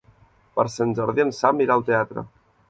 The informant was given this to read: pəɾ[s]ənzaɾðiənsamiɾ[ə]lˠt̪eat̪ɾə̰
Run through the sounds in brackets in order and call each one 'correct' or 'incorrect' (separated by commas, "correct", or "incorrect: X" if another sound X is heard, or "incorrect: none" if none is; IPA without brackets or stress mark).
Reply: correct, incorrect: a